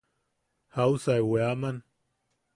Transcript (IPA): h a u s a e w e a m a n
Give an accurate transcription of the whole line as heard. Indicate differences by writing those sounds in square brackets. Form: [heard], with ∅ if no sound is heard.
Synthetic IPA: h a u s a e w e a m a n